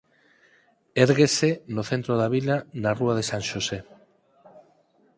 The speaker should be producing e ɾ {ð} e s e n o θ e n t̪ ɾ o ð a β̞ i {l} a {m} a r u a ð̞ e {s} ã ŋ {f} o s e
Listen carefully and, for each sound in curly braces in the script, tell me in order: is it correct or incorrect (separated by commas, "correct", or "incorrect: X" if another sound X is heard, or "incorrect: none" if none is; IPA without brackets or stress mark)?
incorrect: ɣ, correct, incorrect: n, correct, incorrect: ʃ